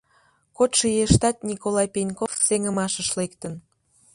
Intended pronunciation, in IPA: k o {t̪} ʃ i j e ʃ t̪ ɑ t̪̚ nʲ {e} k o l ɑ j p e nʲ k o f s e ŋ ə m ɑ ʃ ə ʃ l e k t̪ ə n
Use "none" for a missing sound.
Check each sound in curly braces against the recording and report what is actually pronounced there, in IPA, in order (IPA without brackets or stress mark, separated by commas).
t̪, i